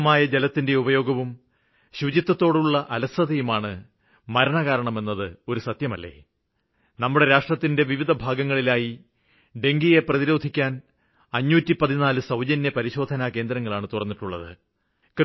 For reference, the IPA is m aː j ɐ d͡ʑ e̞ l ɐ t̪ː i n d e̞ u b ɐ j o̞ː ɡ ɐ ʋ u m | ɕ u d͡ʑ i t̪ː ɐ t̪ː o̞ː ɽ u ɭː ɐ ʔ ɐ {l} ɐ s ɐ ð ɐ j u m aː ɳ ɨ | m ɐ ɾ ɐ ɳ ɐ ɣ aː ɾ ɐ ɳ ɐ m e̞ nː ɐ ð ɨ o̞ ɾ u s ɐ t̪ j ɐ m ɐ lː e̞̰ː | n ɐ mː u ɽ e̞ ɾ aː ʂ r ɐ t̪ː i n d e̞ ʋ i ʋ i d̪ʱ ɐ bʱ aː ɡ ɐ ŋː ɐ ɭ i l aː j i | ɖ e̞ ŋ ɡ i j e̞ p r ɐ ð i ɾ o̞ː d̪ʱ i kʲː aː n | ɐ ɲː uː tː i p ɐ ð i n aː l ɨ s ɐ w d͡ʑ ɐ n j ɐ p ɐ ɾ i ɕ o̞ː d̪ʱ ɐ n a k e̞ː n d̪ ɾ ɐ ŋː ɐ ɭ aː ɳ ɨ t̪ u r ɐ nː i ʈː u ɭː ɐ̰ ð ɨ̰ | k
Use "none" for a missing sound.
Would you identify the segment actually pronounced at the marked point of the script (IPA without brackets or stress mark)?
l